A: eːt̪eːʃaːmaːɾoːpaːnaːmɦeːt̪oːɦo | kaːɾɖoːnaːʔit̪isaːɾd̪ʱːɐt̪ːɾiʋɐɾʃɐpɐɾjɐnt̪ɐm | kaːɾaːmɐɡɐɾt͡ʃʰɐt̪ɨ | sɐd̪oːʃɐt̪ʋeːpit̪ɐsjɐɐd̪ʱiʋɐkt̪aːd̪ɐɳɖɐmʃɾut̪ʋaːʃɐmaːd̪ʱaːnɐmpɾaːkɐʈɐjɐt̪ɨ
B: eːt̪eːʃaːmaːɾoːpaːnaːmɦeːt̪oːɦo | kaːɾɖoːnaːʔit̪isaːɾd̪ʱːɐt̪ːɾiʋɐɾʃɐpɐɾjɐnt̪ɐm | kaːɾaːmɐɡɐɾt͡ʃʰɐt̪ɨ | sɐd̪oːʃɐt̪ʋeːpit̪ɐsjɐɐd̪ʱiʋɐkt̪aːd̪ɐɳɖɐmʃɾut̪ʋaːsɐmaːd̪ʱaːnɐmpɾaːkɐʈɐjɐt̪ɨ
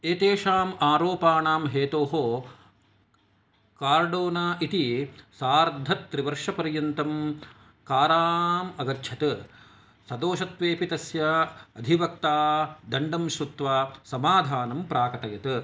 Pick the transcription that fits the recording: B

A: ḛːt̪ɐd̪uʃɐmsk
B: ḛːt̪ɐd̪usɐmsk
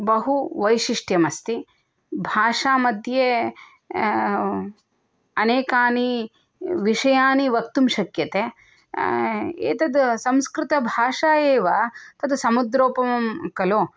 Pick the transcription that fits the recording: B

